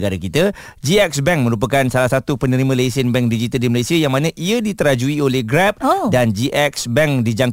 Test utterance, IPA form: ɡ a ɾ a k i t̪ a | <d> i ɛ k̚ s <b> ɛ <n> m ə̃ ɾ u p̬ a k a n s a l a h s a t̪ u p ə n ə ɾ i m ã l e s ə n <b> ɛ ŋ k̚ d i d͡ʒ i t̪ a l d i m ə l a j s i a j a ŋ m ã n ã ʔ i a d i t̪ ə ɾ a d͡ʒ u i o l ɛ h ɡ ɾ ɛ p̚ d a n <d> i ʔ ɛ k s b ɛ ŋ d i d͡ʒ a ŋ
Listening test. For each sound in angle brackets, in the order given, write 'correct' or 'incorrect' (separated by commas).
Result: incorrect, correct, incorrect, correct, incorrect